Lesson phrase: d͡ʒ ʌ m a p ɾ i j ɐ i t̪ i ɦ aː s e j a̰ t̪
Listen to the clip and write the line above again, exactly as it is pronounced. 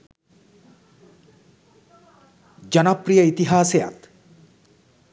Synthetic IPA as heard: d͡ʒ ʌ n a p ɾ i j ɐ i t̪ i ɦ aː s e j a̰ t̪